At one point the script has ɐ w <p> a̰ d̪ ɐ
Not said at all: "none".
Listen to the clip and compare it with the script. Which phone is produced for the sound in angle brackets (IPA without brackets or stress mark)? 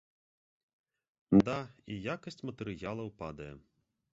p